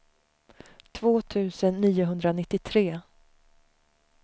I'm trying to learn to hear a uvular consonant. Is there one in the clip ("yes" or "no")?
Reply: no